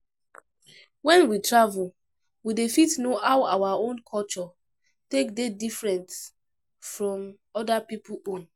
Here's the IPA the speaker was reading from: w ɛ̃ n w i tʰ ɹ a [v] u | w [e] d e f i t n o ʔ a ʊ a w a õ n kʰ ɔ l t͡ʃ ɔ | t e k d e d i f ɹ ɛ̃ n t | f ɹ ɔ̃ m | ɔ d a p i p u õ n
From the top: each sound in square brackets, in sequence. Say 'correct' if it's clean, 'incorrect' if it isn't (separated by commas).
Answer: correct, incorrect